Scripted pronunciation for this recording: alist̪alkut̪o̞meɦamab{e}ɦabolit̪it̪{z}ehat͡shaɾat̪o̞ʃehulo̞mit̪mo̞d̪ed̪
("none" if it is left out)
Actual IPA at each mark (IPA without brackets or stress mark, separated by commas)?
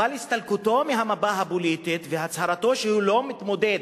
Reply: a, v